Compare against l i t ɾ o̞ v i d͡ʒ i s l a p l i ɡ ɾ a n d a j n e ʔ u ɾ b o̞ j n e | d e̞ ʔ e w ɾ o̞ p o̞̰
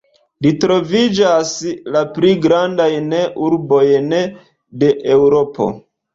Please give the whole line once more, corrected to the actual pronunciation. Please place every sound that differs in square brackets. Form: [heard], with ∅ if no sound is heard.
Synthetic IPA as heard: l i t ɾ o̞ v i d͡ʒ [a] s l a p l i ɡ ɾ a n d a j n e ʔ u ɾ b o̞ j n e | d e̞ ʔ e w ɾ o̞ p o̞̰

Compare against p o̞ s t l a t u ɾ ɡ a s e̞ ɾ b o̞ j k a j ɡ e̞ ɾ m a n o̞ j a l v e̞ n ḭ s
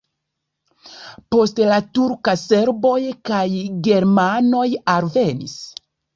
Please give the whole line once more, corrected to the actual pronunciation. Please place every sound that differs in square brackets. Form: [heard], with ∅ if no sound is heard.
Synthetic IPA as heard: p o̞ s t l a t u ɾ [k] a s e̞ ɾ b o̞ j k a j ɡ e̞ ɾ m a n o̞ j a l v e̞ n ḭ s

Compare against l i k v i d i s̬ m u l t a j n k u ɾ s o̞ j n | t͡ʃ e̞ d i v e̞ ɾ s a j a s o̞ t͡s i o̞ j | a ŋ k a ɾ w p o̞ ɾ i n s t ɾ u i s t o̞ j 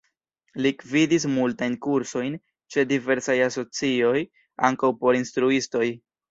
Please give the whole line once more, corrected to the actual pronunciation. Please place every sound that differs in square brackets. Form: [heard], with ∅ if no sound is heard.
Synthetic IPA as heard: l i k v i d i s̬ m u l t a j n k u ɾ s o̞ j n | t͡ʃ e̞ d i v e̞ ɾ s a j a s o̞ t͡s i o̞ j | a ŋ k a [∅] w p o̞ ɾ i n s t ɾ u i s t o̞ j

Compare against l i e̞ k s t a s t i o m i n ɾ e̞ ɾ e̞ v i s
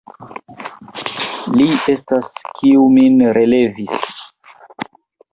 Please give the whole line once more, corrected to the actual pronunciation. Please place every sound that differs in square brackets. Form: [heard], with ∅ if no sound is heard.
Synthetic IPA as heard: l i e̞ [∅] s t a s [k] i [u] m i n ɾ e̞ [l] e̞ v i s

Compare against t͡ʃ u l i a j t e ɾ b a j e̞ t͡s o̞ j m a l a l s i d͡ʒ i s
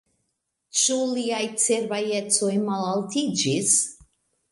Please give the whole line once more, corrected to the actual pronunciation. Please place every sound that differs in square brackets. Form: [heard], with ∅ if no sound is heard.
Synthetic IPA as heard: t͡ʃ u l i a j [t͡s] e ɾ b a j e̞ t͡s o̞ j m a l a l [t] i d͡ʒ i s

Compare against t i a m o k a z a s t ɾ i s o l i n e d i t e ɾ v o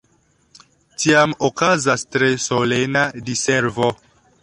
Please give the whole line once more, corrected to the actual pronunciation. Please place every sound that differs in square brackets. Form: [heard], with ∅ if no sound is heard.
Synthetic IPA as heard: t i a m o k a z a s t ɾ [e] s o l [e] n [a] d i [s] e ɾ v o

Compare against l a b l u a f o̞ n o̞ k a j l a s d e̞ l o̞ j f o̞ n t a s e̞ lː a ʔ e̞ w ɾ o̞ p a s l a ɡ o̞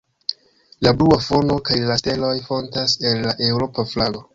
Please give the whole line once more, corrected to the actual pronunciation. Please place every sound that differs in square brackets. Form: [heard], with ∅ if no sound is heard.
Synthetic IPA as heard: l a b l u a f o̞ n o̞ k a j l a s [t] e̞ l o̞ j f o̞ n t a s e̞ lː a ʔ e̞ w ɾ o̞ p a [f] l a ɡ o̞

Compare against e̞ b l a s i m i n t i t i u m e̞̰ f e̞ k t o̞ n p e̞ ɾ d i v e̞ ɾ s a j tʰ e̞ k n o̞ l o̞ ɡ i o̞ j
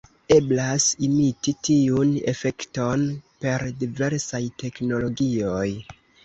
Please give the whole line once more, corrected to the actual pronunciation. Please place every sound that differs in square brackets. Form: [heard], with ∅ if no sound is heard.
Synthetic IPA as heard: e̞ b l a s i m i [∅] t i t i u [n] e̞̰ f e̞ k t o̞ n p e̞ ɾ d i v e̞ ɾ s a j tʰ e̞ k n o̞ l o̞ ɡ i o̞ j

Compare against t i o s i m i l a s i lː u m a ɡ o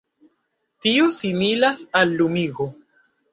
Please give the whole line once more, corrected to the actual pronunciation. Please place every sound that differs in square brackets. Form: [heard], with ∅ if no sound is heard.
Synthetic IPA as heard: t i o s i m i l a s [a] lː u m [i] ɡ o

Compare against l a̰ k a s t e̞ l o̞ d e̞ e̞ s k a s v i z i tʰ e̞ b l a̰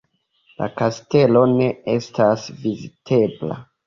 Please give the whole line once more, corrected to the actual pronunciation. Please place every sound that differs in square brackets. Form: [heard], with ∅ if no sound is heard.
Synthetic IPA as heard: l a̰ k a s t e̞ l o̞ [n] e̞ e̞ s [t] a s v i z i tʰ e̞ b l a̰

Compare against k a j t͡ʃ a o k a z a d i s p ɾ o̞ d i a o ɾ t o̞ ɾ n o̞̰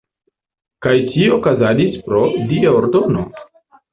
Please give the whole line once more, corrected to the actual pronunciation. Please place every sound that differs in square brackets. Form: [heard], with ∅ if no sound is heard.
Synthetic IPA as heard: k a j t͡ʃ [i] o k a z a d i s p ɾ o̞ d i a o ɾ [d] o̞ [∅] n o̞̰

